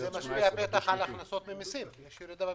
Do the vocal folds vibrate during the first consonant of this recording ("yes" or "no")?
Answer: yes